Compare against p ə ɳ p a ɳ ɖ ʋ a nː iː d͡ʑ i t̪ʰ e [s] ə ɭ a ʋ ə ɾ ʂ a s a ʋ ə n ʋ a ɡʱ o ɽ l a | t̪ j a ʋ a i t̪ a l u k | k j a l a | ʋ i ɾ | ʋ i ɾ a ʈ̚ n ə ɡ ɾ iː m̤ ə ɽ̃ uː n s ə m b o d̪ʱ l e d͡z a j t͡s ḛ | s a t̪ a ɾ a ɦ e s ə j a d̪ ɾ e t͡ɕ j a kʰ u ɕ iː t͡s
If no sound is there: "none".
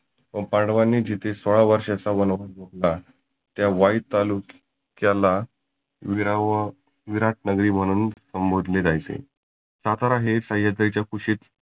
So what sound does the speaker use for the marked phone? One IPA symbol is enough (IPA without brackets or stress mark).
s